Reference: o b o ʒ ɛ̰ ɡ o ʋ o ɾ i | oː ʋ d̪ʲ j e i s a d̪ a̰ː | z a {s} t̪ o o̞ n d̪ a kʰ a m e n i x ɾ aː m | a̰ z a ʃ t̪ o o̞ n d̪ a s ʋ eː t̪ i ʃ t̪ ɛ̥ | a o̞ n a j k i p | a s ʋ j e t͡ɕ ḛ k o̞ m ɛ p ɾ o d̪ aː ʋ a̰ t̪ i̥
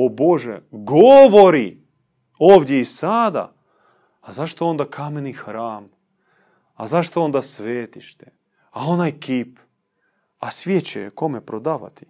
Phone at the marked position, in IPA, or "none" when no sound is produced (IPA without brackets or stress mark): ʃ